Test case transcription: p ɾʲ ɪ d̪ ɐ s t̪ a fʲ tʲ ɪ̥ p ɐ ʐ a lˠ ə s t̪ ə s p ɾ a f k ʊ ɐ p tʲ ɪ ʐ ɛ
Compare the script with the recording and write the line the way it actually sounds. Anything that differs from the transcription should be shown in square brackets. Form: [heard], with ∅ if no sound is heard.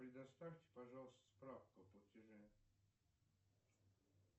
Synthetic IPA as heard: p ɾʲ ɪ d̪ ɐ s t̪ a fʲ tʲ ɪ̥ p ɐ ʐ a lˠ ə s t̪ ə s p ɾ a f k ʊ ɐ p tʲ ɪ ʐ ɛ

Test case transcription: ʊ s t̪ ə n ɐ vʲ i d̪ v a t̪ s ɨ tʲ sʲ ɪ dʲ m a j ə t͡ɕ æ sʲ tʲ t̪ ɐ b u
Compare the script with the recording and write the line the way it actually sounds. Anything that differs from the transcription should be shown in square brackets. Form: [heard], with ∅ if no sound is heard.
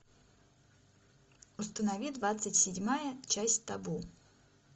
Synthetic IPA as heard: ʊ s t̪ ə n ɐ vʲ i d̪ v a t̪ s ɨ tʲ sʲ ɪ dʲ m a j ə t͡ɕ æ sʲ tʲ t̪ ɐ b u

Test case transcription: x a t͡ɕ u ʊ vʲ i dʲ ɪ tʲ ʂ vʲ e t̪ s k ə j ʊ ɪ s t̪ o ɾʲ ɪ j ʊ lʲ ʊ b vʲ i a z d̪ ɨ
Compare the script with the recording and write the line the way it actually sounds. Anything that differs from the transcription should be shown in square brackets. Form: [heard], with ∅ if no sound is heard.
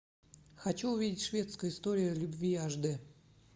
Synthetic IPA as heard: x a t͡ɕ u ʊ vʲ i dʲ ɪ tʲ ʂ vʲ e t̪ s k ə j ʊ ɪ s t̪ o ɾʲ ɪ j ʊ lʲ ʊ b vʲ i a [ʐ] d̪ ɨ

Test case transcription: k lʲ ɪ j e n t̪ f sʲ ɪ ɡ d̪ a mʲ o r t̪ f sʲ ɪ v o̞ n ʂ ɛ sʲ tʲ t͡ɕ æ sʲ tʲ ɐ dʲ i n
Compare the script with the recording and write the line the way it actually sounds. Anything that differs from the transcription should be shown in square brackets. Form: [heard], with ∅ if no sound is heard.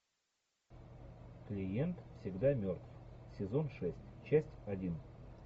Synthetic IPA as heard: k lʲ ɪ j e n t̪ f sʲ ɪ ɡ d̪ a mʲ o r t̪ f sʲ ɪ [z] o̞ n ʂ ɛ sʲ tʲ t͡ɕ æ sʲ tʲ ɐ dʲ i n

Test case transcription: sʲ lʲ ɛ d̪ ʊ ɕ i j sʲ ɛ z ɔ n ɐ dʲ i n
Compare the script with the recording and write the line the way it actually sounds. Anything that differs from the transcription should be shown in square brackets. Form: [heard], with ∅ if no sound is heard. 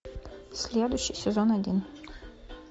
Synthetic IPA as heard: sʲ lʲ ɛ d̪ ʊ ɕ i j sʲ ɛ z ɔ n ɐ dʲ i n

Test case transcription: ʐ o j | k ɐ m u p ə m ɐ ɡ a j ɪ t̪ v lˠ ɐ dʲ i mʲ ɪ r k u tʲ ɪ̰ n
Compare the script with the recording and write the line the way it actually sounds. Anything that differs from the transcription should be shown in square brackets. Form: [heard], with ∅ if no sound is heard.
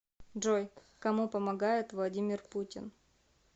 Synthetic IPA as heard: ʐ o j | k ɐ m u p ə m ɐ ɡ a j ɪ t̪ v lˠ ɐ dʲ i mʲ ɪ r [p] u tʲ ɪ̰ n

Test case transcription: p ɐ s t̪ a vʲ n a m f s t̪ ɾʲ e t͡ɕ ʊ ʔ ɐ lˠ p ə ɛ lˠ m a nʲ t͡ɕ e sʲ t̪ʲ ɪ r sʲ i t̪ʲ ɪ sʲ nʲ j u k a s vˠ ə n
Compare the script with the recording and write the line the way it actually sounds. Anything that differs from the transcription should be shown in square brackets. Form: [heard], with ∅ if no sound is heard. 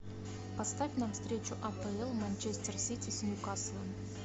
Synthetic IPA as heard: p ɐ s t̪ a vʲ n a m f s t̪ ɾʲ e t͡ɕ ʊ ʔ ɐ [∅] p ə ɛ lˠ m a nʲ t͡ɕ e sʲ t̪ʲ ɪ r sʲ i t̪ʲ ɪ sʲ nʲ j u k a s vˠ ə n

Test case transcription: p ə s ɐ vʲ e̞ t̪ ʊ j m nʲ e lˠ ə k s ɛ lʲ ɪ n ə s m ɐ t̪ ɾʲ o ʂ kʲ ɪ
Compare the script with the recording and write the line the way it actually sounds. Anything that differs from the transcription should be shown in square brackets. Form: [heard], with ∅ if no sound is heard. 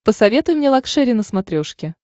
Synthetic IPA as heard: p ə s ɐ vʲ e̞ t̪ ʊ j m nʲ e lˠ [ɐ] k [ʂ] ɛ [ɾʲ] ɪ n ə s m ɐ t̪ ɾʲ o ʂ kʲ ɪ

